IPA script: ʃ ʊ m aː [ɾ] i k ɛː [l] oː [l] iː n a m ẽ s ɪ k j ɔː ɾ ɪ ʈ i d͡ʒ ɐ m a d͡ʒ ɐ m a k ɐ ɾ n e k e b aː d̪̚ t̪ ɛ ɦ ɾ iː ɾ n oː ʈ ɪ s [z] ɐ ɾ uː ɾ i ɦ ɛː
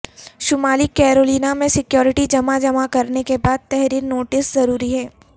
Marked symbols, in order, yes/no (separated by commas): no, no, yes, yes